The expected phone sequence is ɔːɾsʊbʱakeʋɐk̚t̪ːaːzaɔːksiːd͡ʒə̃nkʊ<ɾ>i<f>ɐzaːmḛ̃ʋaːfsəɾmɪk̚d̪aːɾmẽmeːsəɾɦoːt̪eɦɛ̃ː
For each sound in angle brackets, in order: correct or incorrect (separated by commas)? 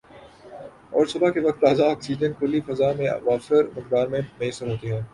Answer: incorrect, correct